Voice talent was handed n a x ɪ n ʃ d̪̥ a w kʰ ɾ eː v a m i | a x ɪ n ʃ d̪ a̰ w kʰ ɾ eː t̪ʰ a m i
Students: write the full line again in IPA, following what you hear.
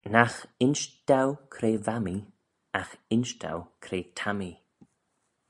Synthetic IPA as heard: n a x ɪ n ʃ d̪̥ a w kʰ ɾ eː v a m i | a x ɪ n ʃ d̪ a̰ w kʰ ɾ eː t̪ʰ a m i